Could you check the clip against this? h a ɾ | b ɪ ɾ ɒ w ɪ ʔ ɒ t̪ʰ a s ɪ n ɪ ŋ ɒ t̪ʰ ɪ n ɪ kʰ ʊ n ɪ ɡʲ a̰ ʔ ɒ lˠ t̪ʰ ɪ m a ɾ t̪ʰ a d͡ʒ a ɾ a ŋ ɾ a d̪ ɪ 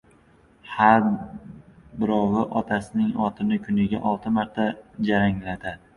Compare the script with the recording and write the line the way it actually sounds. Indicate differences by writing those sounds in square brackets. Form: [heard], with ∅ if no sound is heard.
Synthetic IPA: h a ɾ | b ɪ ɾ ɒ w ɪ ʔ ɒ t̪ʰ a s ɪ n ɪ ŋ ɒ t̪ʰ ɪ n ɪ kʰ ʊ n ɪ ɡʲ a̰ ʔ ɒ lˠ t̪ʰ ɪ m a ɾ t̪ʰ a d͡ʒ a ɾ a ŋ [l] a d̪ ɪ